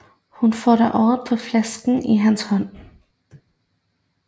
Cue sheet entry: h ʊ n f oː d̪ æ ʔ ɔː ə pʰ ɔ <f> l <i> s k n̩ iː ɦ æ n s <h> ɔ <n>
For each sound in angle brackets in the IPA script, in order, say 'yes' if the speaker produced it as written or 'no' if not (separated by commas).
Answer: yes, no, yes, yes